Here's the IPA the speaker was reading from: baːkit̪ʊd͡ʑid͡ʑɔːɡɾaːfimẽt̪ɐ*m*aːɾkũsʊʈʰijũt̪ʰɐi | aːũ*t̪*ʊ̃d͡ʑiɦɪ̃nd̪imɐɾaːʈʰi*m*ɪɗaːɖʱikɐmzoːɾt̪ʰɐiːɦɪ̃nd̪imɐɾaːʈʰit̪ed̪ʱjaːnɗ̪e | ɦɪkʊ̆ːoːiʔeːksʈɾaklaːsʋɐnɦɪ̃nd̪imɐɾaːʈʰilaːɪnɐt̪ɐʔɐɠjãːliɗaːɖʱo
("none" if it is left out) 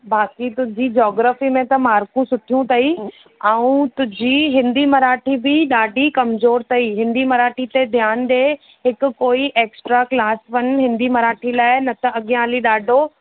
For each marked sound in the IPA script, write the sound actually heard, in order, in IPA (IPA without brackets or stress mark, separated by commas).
m, t̪, b